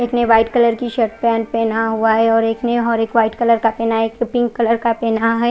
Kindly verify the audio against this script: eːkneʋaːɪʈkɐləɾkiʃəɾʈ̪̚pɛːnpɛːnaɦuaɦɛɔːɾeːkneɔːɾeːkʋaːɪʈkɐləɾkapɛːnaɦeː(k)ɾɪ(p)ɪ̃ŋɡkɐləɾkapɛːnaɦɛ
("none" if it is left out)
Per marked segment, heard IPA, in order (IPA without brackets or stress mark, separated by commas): k, p